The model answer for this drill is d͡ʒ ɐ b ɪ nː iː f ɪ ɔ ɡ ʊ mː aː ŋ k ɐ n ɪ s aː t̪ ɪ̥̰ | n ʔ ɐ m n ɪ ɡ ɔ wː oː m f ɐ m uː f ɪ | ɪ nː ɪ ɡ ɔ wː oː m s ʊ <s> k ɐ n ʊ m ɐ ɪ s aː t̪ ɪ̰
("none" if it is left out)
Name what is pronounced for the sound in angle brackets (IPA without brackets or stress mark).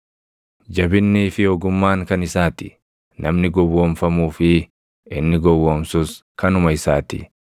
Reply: s